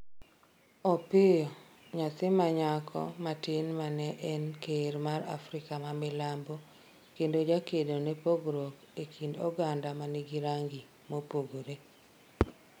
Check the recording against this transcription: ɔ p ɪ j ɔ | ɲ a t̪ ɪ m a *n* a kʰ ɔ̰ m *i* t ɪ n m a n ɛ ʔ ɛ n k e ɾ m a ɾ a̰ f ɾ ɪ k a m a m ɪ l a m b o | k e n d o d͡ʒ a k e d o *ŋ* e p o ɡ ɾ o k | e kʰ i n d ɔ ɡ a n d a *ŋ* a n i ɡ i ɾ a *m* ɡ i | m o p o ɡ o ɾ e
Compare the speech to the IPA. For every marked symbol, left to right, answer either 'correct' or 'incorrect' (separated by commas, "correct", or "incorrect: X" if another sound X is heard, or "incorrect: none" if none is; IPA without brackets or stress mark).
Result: incorrect: ɲ, incorrect: a, incorrect: n, incorrect: m, incorrect: ŋ